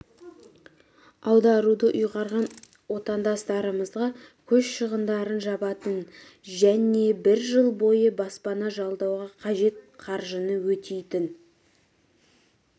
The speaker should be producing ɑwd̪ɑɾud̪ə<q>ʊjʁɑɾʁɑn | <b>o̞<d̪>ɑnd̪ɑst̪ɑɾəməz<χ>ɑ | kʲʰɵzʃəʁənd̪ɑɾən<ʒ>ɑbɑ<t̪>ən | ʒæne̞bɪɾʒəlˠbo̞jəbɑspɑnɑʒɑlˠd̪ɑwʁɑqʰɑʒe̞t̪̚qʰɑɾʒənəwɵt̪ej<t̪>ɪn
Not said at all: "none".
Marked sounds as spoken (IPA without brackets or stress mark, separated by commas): ʔ, w, t̪, ʁ, ʒ, t̪, t̪